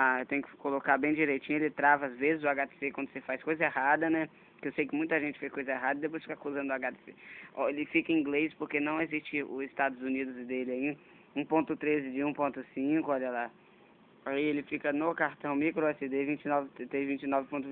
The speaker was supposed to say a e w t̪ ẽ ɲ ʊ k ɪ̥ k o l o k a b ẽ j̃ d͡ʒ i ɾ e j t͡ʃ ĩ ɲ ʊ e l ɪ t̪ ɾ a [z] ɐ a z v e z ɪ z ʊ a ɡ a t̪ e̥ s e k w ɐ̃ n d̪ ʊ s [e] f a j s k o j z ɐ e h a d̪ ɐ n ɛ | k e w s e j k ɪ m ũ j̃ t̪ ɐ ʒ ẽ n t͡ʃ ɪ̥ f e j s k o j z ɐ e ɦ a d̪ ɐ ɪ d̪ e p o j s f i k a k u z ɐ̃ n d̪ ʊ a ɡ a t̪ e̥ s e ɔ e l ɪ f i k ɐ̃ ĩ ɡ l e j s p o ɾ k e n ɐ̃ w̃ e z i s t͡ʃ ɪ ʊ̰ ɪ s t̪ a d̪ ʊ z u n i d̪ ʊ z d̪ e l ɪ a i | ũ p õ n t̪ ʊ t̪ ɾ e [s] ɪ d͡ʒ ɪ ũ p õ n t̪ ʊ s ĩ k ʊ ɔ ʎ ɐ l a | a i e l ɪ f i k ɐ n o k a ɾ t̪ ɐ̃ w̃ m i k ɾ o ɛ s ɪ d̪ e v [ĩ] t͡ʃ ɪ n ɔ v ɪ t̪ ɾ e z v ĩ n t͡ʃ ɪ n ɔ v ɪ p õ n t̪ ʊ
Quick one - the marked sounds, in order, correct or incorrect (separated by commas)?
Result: incorrect, correct, incorrect, correct